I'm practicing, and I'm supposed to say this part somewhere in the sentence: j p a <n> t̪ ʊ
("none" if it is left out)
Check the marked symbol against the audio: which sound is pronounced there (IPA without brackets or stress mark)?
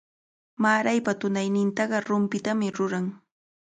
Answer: none